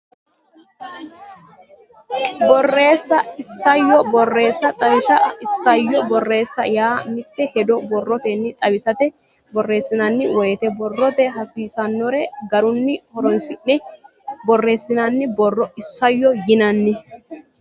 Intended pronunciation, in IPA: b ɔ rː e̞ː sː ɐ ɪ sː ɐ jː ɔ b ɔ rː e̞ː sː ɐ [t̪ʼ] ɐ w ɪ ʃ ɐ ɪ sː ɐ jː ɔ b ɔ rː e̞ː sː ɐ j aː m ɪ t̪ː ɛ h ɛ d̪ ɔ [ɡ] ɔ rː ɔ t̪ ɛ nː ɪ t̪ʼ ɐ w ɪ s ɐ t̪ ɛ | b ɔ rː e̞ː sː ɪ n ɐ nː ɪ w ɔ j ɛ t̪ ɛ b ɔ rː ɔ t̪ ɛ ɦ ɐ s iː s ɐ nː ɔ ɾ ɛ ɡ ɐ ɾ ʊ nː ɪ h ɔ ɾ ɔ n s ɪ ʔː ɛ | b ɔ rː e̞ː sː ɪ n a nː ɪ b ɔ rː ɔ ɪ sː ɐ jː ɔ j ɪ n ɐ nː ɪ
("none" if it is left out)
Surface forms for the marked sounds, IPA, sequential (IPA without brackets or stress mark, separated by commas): t̪ʼ, b